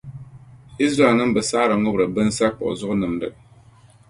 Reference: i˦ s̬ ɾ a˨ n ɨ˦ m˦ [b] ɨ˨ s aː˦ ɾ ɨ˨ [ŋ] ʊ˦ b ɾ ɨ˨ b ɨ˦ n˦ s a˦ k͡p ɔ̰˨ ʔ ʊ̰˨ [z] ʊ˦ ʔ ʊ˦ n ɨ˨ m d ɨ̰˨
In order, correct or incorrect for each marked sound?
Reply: correct, correct, correct

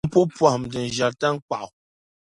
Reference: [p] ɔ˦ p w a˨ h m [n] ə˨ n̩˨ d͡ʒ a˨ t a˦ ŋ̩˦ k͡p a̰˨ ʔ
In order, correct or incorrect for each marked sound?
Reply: correct, incorrect: d

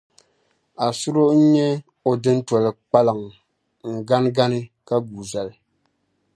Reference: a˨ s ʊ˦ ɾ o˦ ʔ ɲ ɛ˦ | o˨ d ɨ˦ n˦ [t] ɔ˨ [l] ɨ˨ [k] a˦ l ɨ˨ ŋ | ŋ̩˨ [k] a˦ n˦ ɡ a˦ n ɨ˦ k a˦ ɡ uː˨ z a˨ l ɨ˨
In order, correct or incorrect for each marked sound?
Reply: correct, correct, incorrect: k͡p, incorrect: ɡ

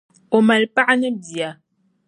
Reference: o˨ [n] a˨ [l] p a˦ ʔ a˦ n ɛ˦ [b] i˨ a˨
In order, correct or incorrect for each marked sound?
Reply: incorrect: m, correct, correct

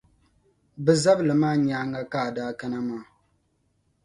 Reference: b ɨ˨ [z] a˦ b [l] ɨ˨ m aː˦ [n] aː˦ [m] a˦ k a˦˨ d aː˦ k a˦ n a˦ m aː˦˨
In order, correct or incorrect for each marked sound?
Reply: correct, correct, incorrect: ɲ, incorrect: ŋ

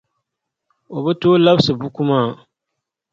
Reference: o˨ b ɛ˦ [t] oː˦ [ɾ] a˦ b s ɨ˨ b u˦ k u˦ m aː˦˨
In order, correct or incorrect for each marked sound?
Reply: correct, incorrect: l

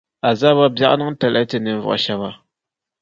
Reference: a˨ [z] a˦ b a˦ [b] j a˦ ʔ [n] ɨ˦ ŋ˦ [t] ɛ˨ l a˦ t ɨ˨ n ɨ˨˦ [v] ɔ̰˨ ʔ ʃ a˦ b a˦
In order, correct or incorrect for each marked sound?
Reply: correct, correct, correct, correct, correct

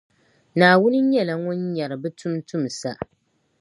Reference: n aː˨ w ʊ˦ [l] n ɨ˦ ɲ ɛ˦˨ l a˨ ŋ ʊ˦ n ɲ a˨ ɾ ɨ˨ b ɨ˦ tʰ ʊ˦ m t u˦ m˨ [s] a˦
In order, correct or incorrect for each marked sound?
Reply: incorrect: none, correct

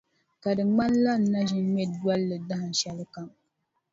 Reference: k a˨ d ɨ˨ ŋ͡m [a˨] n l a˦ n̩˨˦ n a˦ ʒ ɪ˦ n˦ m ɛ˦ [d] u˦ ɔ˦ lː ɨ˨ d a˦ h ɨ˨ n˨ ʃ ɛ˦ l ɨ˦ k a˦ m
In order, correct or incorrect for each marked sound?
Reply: incorrect: a˦, correct

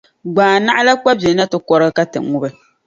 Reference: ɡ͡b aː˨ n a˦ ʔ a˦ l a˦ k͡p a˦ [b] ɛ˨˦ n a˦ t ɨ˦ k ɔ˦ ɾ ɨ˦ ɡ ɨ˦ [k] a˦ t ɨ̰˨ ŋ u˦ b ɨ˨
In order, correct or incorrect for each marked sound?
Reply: correct, correct

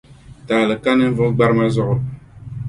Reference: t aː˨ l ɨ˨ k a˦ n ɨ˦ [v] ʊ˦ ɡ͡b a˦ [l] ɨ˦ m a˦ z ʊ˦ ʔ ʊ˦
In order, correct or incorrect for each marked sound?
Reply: correct, incorrect: ɾ

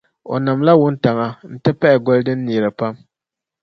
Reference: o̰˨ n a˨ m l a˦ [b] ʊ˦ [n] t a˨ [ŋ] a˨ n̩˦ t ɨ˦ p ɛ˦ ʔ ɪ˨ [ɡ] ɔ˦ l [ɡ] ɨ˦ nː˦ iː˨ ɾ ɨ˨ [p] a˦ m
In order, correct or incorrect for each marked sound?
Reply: incorrect: w, correct, correct, correct, incorrect: d, correct

